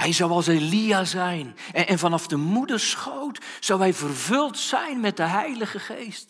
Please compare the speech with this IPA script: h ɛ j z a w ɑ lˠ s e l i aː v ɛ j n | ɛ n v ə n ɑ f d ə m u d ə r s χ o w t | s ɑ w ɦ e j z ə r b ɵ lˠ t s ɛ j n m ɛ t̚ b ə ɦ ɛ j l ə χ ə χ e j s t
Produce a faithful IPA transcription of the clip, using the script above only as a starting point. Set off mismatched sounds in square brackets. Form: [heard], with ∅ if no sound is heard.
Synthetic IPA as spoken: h ɛ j z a w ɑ lˠ s e l i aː [z] ɛ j n | ɛ n v [ɑ] n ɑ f d ə m u d ə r s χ o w t | s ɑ w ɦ [ɛ] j [v] ə r [v] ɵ lˠ t s ɛ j n m ɛ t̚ [d] ə ɦ ɛ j l ə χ ə χ e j s t